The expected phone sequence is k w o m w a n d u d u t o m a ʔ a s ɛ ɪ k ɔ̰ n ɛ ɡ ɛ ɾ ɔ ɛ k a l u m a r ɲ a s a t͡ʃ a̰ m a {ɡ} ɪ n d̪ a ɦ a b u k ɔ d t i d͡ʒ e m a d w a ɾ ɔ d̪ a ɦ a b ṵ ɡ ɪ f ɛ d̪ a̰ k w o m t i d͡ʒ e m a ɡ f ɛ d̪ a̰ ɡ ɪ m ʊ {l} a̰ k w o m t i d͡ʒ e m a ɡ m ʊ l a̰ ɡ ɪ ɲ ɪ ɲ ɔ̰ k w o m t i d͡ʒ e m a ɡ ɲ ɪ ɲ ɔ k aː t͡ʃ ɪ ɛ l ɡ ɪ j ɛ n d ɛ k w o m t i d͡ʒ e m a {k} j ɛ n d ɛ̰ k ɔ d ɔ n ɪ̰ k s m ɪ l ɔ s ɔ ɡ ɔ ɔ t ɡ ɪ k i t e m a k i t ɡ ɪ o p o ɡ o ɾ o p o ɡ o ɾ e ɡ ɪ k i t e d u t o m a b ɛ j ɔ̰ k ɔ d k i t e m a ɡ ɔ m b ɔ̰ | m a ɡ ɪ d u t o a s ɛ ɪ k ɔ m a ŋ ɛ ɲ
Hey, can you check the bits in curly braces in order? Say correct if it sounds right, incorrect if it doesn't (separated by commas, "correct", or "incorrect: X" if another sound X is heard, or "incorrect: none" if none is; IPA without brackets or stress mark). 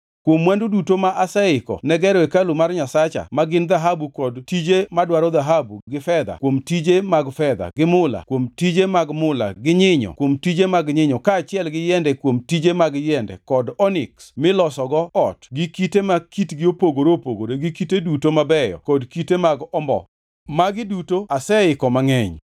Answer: correct, correct, incorrect: ɡ